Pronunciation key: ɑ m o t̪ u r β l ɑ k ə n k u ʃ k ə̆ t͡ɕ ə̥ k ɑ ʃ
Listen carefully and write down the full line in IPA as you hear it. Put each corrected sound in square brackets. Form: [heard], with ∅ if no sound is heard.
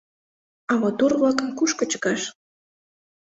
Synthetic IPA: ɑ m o t̪ u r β l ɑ k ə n k u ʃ k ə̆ t͡ɕ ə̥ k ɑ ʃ